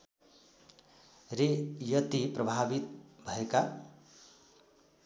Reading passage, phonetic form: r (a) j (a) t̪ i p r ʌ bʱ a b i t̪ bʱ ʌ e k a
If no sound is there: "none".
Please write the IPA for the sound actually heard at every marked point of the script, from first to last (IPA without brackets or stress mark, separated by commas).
e, ʌ